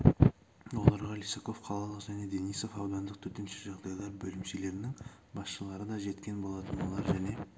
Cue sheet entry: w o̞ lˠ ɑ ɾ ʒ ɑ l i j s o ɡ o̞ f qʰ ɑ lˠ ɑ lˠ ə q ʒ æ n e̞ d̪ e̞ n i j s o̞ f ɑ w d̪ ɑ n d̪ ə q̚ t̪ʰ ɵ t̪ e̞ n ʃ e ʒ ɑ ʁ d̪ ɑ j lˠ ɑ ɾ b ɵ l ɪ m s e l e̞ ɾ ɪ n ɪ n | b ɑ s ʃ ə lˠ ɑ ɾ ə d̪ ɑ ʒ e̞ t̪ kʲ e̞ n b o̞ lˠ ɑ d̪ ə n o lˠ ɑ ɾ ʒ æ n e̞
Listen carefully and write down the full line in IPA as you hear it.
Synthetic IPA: w o̞ lˠ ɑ ɾ ʁ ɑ l i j s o k o̞ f qʰ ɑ lˠ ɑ lˠ ə q ʒ æ n e̞ d̪ e̞ n i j s o̞ f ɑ w d̪ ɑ n d̪ ə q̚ t̪ʰ ɵ t̪ e̞ n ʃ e ʒ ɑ ʁ d̪ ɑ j lˠ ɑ ɾ b ɵ l ɪ m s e l e̞ ɾ ɪ n ɪ ŋ | b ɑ s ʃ ə lˠ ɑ ɾ ə d̪ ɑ ʒ e̞ t̪ kʲ e̞ n b o̞ lˠ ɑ t̪ ə n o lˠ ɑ ɾ ʒ æ n e̞